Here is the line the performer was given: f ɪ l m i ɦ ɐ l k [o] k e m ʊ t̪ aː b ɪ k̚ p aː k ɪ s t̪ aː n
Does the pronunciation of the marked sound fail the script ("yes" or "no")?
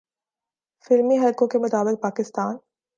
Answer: yes